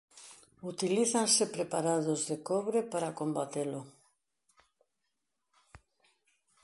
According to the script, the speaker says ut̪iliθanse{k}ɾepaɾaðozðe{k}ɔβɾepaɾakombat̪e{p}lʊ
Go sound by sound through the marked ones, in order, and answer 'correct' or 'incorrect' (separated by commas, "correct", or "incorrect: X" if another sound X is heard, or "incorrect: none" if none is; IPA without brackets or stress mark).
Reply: incorrect: p, correct, incorrect: none